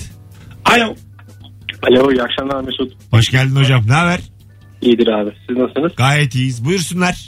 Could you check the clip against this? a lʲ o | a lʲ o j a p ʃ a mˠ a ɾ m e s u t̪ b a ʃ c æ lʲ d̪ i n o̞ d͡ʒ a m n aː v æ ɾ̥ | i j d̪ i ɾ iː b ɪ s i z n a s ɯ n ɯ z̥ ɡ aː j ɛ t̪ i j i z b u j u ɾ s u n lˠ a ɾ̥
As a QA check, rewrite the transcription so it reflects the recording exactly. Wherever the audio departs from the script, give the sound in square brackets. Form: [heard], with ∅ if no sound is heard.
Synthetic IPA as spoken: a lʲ o | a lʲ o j a [k] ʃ a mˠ a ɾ m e s u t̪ b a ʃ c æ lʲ d̪ i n o̞ d͡ʒ a m n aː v æ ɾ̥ | i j d̪ i ɾ [aː] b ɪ s i z n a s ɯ n ɯ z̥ ɡ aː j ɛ t̪ i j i z b u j u ɾ s u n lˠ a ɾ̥